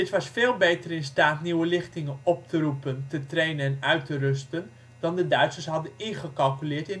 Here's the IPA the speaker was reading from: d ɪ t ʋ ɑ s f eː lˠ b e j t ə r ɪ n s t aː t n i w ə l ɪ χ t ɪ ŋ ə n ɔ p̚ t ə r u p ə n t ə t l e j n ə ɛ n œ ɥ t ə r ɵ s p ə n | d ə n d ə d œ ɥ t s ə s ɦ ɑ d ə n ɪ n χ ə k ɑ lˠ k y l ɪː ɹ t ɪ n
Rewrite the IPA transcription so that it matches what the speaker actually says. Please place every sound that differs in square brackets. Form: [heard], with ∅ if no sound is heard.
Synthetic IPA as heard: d ɪ t ʋ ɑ s f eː lˠ b e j t ə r ɪ n s t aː t n i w ə l ɪ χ t ɪ ŋ ə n ɔ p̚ t ə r u p ə n t ə t [r] e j n ə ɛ n œ ɥ t ə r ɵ s [t] ə n | d [ɑ] n d ə d œ ɥ t s ə s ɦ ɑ d ə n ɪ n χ ə k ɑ lˠ k y l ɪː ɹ t ɪ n